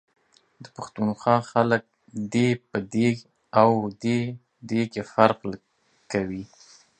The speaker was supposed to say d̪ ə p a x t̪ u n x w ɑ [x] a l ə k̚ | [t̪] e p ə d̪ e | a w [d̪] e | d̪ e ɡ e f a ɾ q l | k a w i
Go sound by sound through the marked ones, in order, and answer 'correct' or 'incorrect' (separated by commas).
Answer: correct, incorrect, correct